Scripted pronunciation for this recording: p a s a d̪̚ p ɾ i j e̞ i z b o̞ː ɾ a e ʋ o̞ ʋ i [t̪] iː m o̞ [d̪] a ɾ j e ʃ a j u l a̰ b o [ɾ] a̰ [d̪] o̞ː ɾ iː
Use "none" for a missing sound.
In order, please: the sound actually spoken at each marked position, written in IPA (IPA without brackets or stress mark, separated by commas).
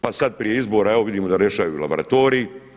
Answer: d̪, d̪, ɾ, t̪